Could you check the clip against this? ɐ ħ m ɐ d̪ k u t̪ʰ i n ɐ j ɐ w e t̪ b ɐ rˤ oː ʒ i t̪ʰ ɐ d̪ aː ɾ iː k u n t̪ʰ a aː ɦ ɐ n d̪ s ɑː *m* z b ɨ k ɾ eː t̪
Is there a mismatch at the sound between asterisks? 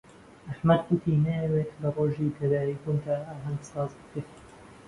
yes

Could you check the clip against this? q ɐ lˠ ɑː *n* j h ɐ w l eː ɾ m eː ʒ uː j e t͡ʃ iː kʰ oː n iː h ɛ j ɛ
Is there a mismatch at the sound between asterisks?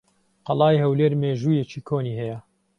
yes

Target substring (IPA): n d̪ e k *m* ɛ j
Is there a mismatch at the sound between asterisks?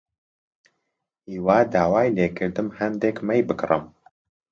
no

